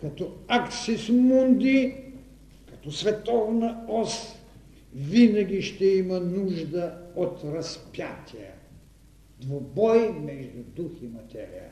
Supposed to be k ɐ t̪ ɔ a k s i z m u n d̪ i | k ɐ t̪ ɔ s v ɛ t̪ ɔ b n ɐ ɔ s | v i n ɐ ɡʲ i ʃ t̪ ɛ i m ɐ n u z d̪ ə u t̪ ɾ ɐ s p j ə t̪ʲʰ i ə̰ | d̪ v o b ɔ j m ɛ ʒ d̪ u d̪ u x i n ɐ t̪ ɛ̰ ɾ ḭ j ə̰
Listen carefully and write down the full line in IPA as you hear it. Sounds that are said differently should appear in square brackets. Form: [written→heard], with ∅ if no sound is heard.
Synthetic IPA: k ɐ t̪ ɔ a k s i [z→s] m u n d̪ i | k ɐ t̪ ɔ s v ɛ t̪ ɔ [b→v] n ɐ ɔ s | v i n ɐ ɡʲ i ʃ t̪ ɛ i m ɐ n u [z→ʒ] d̪ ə [u→o] t̪ ɾ ɐ s p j [ə→a] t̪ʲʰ i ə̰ | d̪ v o b ɔ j m ɛ ʒ d̪ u d̪ u x i [n→m] ɐ t̪ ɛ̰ ɾ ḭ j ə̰